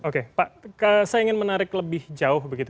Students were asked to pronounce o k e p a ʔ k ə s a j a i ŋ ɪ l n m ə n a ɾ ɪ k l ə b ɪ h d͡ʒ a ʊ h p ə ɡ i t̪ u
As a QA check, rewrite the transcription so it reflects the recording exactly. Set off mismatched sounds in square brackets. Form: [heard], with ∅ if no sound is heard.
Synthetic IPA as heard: o k e p a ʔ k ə s a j a i ŋ ɪ [∅] n m ə n a ɾ ɪ k l ə b ɪ h d͡ʒ a ʊ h [b] ə ɡ i t̪ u